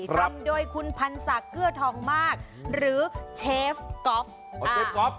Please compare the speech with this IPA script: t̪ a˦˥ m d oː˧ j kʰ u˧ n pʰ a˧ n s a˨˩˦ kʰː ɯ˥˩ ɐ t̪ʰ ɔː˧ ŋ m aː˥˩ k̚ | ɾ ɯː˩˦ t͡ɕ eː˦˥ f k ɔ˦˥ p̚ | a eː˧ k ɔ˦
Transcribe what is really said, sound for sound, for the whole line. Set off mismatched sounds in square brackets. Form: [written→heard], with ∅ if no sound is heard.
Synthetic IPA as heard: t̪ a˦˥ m d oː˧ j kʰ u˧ n pʰ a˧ n s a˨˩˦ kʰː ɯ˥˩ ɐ t̪ʰ [ɔː˧→ɔː˩˦] ŋ m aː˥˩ k̚ | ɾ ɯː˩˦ [t͡ɕ→t͡ɕʰ] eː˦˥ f k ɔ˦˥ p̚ | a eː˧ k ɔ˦